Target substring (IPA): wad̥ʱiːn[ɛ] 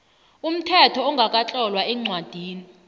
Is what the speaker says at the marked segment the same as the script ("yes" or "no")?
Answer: no